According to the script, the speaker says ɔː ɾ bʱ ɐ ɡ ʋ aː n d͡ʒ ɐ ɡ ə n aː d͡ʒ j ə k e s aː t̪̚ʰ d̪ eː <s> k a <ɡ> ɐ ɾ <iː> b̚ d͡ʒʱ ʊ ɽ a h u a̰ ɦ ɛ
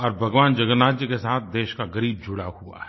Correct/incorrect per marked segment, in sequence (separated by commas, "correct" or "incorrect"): incorrect, correct, correct